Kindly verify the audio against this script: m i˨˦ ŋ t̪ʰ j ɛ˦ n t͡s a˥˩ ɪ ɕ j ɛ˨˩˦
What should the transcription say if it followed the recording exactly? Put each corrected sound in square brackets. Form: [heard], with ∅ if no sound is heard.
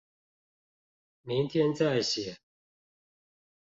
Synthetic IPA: m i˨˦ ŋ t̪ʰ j ɛ˦ n t͡s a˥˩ ɪ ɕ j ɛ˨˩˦